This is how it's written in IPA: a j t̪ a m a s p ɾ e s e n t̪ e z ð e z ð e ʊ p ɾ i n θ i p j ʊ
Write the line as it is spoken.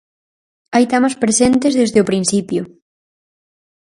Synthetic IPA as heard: a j t̪ a m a s p ɾ e s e n t̪ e z ð e z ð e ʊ p ɾ i n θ i p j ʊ